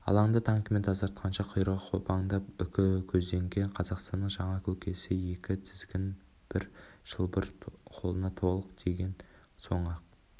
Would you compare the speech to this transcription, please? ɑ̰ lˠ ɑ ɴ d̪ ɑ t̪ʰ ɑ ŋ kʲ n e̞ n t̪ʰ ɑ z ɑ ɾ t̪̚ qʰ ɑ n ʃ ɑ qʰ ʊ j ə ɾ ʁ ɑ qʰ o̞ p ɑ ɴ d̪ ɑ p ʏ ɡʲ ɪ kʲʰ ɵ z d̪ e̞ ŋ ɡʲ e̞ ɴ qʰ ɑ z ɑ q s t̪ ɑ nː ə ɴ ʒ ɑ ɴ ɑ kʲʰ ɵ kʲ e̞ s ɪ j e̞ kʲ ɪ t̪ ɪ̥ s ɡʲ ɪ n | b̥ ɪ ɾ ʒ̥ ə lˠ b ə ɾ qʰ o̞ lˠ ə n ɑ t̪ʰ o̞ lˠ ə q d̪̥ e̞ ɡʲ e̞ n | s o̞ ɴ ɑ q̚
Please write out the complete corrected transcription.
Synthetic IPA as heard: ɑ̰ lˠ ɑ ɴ d̪ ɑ t̪ʰ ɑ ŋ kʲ m e̞ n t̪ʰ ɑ z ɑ ɾ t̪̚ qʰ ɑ n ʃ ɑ qʰ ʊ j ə ɾ ʁ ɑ qʰ o̞ p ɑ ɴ d̪ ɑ p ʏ kʲ ɪ kʲʰ ɵ z d̪ e̞ ŋ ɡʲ e̞ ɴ qʰ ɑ z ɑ q s t̪ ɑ nː ə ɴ ʒ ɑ ɴ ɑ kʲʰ ɵ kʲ e̞ s ɪ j e̞ kʲ ɪ t̪ʰ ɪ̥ z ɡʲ ɪ n | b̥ ɪ ɾ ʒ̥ ə lˠ b ə ɾ qʰ o̞ lˠ ə n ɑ t̪ʰ o̞ lˠ ə q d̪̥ e̞ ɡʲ e̞ n | s o̞ ɴ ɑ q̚

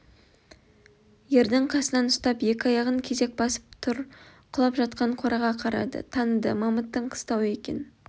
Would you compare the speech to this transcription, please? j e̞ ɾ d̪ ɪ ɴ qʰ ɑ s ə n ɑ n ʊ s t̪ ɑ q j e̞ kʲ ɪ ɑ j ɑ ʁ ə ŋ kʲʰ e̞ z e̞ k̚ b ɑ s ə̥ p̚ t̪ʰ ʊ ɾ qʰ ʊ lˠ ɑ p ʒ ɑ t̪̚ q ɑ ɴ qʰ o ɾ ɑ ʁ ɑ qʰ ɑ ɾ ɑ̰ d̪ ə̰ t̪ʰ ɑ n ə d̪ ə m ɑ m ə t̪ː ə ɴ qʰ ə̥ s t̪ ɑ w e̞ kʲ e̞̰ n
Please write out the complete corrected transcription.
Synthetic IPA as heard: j e̞ ɾ d̪ ɪ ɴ qʰ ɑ s ə n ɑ n ʊ s t̪ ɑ p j e̞ kʲ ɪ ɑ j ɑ ʁ ə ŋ kʲʰ e̞ z e̞ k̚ b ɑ s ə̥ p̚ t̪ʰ ʊ ɾ qʰ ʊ lˠ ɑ p ʒ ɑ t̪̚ q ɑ ɴ qʰ o ɾ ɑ ʁ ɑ qʰ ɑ ɾ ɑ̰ d̪ ə̰ t̪ʰ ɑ n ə d̪ ə m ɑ m ə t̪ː ə ɴ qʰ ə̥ s t̪ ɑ w e̞ kʲ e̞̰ n

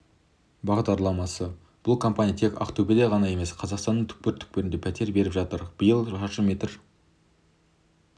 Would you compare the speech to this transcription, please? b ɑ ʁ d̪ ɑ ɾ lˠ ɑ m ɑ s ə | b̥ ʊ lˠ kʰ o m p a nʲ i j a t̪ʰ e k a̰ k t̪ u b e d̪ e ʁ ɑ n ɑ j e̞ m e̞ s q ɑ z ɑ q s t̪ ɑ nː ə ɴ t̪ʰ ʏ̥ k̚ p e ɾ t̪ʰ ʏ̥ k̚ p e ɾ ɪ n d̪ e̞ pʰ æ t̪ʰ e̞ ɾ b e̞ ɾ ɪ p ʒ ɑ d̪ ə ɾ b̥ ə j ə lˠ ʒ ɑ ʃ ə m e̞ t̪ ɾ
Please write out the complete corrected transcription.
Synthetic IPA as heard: b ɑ ʁ d̪ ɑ ɾ lˠ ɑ m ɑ s ə | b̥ ʊ lˠ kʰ o m p a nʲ i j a t̪ʰ e k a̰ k t̪ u b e d̪ e ʁ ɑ n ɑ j e̞ m e̞ s qʰ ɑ z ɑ q s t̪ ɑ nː ə ɴ t̪ʰ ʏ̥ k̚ p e ɾ t̪ʰ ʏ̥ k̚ p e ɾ ɪ n d̪ e̞ pʰ æ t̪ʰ e̞ ɾ b e̞ ɾ ɪ p ʒ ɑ t̪ ə ɾ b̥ ə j ə lˠ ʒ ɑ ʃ ə m e̞ t̪ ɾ

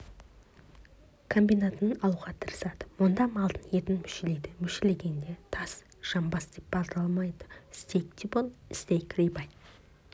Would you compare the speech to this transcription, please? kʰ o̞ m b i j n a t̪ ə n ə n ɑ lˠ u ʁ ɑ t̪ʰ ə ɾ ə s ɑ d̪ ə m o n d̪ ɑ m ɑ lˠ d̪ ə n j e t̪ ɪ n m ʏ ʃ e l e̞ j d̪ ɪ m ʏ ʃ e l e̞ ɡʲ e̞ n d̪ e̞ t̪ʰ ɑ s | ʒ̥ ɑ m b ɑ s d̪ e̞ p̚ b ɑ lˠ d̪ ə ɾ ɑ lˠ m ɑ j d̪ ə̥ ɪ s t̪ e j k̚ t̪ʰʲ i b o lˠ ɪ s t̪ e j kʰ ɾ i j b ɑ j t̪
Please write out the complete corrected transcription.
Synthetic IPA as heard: kʰ o̞ m b i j n a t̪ ə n ə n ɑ lˠ u ʁ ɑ t̪ʰ ə ɾ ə s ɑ d̪ ə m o n d̪ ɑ m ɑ lˠ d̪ ə n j e t̪ ɪ n m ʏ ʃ e l e̞ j d̪ ɪ m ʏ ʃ e l e̞ ɡʲ e̞ n d̪ e̞ t̪ʰ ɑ s | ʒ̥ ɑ m b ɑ s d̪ e̞ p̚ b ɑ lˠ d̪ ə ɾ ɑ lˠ m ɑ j d̪ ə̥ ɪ s t̪ e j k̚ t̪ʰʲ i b o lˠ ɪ s t̪ e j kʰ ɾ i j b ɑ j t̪

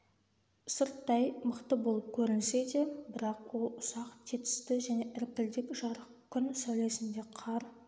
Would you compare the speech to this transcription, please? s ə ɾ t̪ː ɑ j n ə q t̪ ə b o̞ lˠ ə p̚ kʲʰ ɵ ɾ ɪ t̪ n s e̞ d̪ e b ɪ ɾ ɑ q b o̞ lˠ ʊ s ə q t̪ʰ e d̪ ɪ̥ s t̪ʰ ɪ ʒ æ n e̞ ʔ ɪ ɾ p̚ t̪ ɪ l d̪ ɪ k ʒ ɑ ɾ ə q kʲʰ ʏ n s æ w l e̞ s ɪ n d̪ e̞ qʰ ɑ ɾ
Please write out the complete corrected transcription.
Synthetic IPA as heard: s ə ɾ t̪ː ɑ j m ə q t̪ ə b o̞ lˠ ə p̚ kʲʰ ɵ ɾ ɪ n s e̞ d̪ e b ɪ ɾ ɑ q w o̞ lˠ ʊ s ɑ q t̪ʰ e t̪ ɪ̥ s t̪ ɪ ʒ æ n e̞ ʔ ɪ ɾ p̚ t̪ ɪ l d̪ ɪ k ʒ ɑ ɾ ə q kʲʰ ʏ n s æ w l e̞ s ɪ n d̪ e̞ qʰ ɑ ɾ

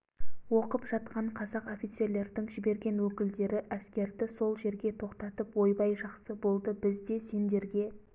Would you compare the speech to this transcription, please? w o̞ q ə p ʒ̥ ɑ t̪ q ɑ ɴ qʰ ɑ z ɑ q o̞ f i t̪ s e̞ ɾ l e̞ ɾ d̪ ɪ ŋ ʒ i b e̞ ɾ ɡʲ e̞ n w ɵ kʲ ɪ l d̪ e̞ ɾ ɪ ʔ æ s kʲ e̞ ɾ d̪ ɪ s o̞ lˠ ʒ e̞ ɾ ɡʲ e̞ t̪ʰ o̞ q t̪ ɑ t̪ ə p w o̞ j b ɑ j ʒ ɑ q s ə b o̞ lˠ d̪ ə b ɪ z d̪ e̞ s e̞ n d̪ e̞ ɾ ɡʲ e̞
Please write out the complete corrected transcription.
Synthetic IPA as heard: w o̞ q ə p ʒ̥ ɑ t̪ q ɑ ɴ qʰ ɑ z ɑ q o̞ f i t̪ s e̞ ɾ l e̞ ɾ d̪ ɪ ŋ ʒ ɪ b e̞ ɾ ɡʲ e̞ n w ɵ kʲ ɪ l d̪ e̞ ɾ ɪ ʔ æ s kʲ e̞ ɾ d̪ ɪ s o̞ lˠ ʒ e̞ ɾ ɡʲ e̞ t̪ʰ o̞ q t̪ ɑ t̪ ə p w o̞ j b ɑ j ʒ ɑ q s ə b o̞ lˠ d̪ ə b ɪ z d̪ e̞ s e̞ n d̪ e̞ ɾ ɡʲ e̞

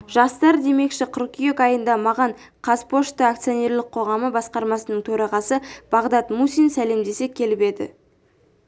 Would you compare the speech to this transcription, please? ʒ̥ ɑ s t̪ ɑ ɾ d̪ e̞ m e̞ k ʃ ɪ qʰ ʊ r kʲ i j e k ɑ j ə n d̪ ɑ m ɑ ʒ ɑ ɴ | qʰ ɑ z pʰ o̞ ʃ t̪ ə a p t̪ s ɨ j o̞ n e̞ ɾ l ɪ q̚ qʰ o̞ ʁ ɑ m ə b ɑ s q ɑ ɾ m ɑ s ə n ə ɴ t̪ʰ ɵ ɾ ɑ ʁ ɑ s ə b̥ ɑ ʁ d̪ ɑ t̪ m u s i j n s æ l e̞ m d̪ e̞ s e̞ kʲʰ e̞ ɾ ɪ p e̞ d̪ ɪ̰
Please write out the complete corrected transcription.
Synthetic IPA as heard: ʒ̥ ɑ s t̪ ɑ ɾ d̪ e̞ m e̞ k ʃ ɪ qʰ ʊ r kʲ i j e k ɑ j ə n d̪ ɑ m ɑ ʁ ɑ ɴ | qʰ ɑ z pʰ o̞ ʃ t̪ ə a k t̪ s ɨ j o̞ n e̞ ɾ l ɪ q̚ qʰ o̞ ʁ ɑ m ə b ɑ s q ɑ ɾ m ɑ s ə n ə ɴ t̪ʰ ɵ ɾ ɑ ʁ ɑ s ə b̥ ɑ ʁ d̪ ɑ t̪ m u s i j n s æ l e̞ m d̪ e̞ s e̞ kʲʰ e̞ l ɪ p e̞ d̪ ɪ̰

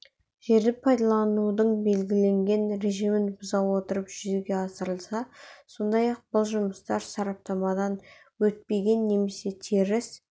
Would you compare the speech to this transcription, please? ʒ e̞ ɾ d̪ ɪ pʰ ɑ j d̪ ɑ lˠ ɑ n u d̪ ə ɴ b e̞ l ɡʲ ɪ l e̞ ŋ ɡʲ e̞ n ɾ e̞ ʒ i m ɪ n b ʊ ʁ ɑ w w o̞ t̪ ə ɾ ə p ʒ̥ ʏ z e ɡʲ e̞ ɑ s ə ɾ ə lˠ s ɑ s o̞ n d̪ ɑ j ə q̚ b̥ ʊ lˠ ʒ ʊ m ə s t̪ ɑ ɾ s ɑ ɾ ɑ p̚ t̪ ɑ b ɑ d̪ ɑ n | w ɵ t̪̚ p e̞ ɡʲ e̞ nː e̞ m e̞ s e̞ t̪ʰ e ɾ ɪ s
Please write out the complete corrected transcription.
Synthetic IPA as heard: ʒ e̞ ɾ d̪ ɪ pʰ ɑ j d̪ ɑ lˠ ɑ n u d̪ ə ɴ b e̞ l ɡʲ ɪ l e̞ ŋ ɡʲ e̞ n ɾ e̞ ʒ i m ɪ n b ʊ z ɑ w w o̞ t̪ ə ɾ ə p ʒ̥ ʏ z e ɡʲ e̞ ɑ s ə ɾ ə lˠ s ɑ s o̞ n d̪ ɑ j ɑ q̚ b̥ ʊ lˠ ʒ ʊ m ə s t̪ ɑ ɾ s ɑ ɾ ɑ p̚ t̪ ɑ m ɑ d̪ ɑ n | w ɵ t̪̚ p e̞ ɡʲ e̞ nː e̞ m e̞ s e̞ t̪ʰ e ɾ ɪ s

